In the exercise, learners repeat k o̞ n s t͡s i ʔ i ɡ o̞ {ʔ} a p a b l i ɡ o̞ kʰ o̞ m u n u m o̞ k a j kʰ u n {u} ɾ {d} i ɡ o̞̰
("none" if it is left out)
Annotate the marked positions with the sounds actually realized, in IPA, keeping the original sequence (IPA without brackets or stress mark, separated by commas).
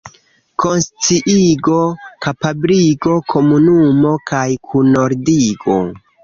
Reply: k, o, d